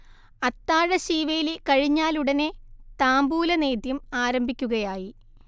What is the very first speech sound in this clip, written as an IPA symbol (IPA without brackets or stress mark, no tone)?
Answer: ɐ